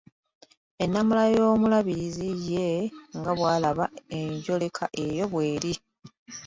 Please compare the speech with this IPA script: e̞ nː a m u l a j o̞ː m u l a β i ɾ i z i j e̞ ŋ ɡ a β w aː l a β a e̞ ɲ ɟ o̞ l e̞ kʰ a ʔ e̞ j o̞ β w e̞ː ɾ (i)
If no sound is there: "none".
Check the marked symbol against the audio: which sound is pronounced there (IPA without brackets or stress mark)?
i